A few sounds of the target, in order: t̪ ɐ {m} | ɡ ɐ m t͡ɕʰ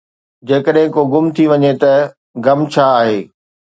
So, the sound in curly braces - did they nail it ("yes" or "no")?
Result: no